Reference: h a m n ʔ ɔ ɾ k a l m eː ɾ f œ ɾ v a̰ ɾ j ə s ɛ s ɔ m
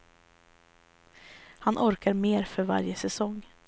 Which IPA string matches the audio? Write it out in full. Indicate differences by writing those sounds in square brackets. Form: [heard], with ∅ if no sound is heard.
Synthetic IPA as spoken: h a [∅] n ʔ ɔ ɾ k a [ɾ] m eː ɾ f œ ɾ v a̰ ɾ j ə s ɛ s ɔ [ŋ]